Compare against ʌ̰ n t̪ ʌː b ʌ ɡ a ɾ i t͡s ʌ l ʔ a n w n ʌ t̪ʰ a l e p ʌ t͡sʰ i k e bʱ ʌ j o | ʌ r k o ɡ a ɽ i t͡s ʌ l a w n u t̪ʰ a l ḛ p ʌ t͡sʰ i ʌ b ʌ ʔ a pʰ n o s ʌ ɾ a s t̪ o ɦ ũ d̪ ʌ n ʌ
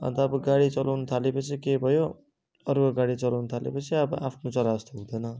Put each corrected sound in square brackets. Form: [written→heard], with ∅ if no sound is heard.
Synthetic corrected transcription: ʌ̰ n t̪ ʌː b ʌ ɡ a [ɾ→ɽ] i t͡s ʌ l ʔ a [n→∅] w n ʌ t̪ʰ a l e p ʌ t͡sʰ i k e bʱ ʌ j o | ʌ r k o ɡ a ɽ i t͡s ʌ l a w n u t̪ʰ a l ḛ p ʌ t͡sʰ i ʌ b ʌ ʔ a pʰ n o [s→t͡s] ʌ ɾ a s t̪ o ɦ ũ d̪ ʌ n ʌ